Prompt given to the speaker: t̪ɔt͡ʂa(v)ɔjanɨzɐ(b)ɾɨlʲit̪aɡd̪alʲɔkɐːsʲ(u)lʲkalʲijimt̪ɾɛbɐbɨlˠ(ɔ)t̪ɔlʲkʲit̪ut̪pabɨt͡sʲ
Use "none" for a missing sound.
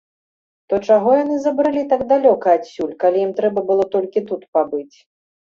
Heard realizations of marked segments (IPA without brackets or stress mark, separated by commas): ɣ, b, u, ɔ